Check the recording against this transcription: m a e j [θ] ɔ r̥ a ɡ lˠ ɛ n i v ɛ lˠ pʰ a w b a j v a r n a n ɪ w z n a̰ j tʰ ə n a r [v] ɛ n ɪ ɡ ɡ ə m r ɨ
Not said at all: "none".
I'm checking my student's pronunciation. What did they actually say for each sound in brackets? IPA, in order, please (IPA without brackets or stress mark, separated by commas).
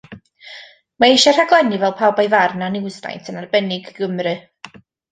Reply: ʃ, b